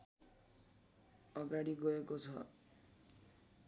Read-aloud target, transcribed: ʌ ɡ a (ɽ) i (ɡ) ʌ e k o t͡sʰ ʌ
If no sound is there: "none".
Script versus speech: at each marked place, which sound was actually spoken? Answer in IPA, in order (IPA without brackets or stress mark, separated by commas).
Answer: ɽ, ɡ